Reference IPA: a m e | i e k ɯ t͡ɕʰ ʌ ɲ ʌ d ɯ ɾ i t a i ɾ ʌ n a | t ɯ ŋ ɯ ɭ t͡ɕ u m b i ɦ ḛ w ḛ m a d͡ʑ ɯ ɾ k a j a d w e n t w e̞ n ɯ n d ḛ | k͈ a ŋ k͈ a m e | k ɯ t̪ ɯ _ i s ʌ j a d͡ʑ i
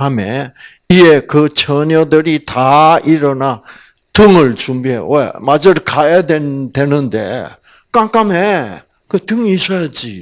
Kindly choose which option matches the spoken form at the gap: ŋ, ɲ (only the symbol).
ŋ